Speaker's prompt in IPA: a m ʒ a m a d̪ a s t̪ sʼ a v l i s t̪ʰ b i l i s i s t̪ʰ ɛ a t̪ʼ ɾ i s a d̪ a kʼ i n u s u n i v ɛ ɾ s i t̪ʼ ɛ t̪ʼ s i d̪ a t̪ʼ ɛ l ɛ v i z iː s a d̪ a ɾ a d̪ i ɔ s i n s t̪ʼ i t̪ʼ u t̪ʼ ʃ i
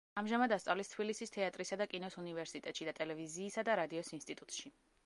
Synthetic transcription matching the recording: a m ʒ a m a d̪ a s t̪ sʼ a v l i s t̪ʰ b i l i s i s t̪ʰ ɛ a t̪ʼ ɾ i s a d̪ a kʼ i n ɔ s u n i v ɛ ɾ s i t̪ʼ ɛ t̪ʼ ʃ i d̪ a t̪ʼ ɛ l ɛ v i z iː s a d̪ a ɾ a d̪ i ɔ s i n s t̪ʼ i t̪ʼ u t̪ʼ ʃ i